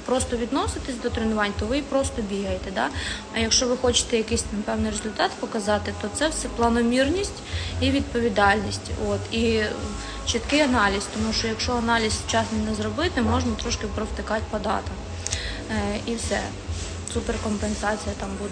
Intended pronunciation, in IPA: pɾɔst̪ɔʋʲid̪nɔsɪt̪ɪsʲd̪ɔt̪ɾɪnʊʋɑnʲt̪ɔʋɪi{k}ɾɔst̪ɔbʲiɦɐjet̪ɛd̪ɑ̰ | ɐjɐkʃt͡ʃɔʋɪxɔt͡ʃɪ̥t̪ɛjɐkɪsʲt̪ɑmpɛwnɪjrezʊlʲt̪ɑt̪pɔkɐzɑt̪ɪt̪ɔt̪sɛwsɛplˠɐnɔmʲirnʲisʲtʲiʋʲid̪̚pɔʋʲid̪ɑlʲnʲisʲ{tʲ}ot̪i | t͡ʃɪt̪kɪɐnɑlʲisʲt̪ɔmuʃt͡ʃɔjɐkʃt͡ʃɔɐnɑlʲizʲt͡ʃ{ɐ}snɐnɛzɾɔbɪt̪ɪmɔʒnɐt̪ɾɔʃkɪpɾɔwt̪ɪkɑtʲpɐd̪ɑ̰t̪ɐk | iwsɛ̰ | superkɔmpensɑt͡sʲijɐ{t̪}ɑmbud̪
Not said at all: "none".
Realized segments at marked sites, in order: p, tʲ, ɑ, t̪

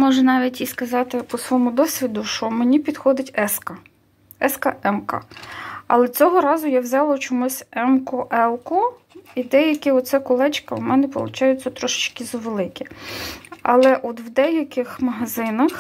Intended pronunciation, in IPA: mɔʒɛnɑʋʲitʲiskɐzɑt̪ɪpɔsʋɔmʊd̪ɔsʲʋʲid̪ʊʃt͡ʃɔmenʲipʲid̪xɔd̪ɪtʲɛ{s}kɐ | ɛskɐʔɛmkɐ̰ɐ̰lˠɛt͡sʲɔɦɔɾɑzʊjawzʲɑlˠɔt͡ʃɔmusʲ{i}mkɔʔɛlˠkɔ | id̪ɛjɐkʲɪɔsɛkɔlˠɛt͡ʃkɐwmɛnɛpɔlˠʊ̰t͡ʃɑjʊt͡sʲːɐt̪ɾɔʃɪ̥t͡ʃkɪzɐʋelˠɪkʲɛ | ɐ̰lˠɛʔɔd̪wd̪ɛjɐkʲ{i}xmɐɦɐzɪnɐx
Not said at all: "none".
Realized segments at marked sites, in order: s, ɛ, ɪ

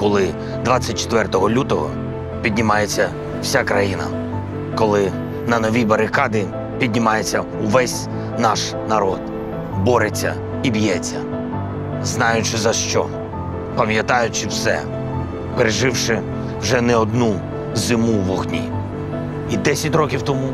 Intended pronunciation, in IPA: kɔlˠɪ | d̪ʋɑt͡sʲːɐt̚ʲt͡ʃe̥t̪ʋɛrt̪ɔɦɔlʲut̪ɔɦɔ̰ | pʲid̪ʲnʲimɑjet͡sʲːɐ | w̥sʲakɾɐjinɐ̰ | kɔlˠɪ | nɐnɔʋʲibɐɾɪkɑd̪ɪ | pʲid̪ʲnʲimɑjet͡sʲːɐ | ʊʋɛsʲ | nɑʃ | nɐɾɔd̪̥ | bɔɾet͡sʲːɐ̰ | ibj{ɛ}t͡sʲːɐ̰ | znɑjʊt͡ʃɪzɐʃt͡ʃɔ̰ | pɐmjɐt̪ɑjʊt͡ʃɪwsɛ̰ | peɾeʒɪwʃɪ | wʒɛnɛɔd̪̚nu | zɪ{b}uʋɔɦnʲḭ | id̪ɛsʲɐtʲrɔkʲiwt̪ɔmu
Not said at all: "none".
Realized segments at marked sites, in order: ɛ, m

